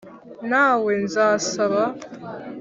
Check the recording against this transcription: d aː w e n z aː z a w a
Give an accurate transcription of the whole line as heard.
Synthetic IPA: n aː w e n z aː s a β a